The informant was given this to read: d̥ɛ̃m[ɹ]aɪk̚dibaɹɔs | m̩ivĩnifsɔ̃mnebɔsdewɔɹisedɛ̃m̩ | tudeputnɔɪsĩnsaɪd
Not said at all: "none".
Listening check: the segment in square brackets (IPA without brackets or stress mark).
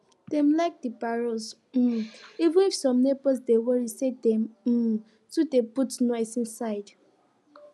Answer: l